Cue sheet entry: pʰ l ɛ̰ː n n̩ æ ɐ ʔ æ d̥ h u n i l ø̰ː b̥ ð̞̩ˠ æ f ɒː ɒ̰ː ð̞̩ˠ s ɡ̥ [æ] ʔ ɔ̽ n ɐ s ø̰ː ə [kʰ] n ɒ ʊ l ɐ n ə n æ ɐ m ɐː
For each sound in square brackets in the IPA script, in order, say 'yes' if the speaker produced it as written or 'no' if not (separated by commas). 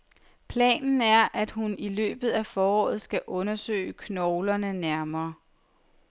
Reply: yes, yes